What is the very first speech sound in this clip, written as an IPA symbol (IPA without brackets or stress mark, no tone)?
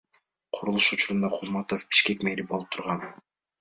qʰ